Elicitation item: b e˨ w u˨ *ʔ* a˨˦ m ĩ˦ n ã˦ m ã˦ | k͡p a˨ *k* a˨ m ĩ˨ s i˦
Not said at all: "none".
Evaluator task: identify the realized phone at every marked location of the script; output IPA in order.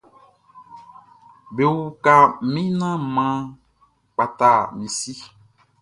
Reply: k, t

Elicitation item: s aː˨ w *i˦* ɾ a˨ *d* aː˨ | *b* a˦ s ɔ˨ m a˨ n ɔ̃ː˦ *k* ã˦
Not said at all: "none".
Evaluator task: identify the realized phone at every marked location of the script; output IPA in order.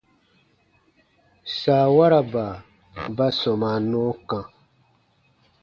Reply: a˦, b, b, k

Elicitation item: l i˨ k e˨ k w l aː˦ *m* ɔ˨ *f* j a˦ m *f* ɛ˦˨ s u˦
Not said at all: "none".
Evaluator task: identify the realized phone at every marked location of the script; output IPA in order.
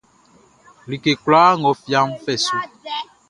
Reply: ŋ, f, f

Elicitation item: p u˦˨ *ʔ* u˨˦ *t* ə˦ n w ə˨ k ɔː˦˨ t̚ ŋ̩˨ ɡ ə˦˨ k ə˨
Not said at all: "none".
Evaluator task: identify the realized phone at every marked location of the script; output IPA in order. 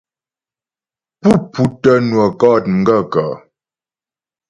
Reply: p, t

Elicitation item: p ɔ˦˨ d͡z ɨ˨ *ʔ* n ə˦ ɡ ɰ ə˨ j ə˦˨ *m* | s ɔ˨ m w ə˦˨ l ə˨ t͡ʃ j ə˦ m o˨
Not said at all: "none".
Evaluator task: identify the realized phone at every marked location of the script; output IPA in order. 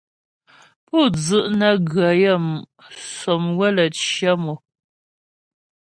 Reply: ʔ, m

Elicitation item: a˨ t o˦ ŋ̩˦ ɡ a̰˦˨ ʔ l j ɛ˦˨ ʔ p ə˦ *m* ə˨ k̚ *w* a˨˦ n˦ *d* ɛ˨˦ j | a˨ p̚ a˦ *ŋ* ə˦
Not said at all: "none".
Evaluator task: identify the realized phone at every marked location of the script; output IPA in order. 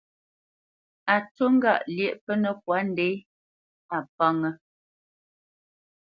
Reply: n, w, d, ŋ

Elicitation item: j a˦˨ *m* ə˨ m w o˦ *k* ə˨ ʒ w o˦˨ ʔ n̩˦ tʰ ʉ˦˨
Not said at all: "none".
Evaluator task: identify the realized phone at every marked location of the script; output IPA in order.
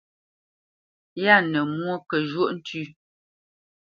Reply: n, k

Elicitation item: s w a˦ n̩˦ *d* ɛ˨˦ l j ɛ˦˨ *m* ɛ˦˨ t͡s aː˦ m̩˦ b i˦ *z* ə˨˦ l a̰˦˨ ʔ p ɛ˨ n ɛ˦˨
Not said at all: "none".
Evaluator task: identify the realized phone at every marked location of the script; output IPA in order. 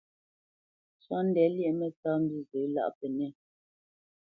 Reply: d, m, z

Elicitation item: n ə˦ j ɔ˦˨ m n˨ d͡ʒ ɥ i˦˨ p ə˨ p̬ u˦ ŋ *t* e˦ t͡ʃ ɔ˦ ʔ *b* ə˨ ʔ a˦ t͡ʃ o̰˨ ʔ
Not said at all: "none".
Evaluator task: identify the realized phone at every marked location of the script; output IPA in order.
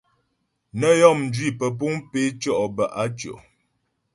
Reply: p, b

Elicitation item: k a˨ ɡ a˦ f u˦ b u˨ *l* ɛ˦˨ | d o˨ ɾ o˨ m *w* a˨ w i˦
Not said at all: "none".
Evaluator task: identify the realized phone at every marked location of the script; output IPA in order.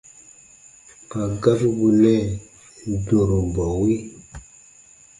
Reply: l, b

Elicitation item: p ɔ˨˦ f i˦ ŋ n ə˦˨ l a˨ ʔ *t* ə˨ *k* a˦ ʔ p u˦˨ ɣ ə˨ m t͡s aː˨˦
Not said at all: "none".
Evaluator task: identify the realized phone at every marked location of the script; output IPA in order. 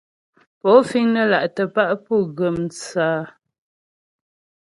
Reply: t, p

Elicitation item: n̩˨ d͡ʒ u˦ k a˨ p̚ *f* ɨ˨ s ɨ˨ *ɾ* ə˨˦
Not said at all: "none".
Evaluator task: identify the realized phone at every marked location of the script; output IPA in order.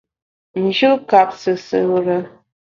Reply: s, ɾ

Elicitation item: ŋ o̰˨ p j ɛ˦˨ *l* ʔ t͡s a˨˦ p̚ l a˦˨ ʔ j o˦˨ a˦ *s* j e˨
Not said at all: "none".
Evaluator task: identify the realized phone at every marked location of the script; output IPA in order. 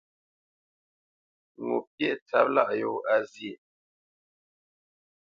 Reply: none, z

